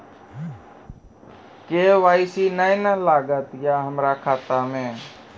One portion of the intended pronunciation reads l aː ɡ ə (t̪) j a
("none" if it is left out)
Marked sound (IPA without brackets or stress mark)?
t̪